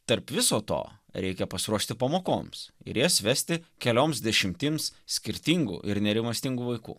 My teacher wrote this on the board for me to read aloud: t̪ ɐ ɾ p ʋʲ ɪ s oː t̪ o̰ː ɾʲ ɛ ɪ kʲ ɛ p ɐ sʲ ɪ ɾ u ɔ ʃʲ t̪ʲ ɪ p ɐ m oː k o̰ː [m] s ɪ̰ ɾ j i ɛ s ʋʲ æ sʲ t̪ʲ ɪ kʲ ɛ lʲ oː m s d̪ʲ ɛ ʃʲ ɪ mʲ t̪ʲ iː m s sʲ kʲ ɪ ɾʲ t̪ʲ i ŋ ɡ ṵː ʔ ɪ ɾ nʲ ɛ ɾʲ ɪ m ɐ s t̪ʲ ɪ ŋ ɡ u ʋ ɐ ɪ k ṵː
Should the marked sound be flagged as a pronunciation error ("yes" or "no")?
no